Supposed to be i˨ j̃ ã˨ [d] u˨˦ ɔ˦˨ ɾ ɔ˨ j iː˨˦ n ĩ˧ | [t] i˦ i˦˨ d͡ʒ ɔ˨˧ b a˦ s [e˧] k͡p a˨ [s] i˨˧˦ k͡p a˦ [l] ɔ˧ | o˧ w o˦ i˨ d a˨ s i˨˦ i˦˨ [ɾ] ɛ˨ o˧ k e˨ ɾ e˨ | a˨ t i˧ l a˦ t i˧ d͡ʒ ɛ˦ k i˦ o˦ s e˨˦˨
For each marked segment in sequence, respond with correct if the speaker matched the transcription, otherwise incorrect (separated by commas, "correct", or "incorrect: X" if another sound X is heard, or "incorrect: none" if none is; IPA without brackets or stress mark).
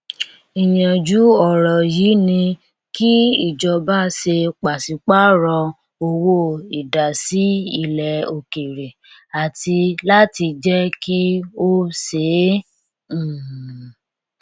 incorrect: d͡ʒ, incorrect: k, correct, correct, incorrect: ɾ, incorrect: l